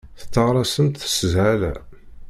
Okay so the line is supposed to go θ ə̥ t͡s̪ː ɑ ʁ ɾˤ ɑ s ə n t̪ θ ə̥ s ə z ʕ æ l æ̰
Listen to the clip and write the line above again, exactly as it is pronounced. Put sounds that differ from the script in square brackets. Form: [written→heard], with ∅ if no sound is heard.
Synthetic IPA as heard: θ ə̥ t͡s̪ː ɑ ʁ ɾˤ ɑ s ə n t̪ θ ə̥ s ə z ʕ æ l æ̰